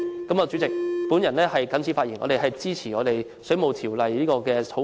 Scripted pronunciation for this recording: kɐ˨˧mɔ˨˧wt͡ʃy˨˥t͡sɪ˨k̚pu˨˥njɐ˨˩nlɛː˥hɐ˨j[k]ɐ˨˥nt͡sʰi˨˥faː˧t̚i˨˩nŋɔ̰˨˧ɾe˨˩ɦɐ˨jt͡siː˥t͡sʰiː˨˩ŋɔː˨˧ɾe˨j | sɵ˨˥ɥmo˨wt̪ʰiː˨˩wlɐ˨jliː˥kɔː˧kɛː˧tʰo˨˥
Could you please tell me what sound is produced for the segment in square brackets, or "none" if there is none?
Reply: k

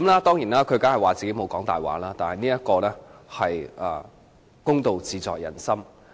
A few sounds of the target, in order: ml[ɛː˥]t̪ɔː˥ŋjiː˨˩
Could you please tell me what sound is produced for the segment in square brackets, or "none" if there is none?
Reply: aː˥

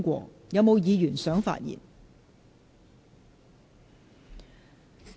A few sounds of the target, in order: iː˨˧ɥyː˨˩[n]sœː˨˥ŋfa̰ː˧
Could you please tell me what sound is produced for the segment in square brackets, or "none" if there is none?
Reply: n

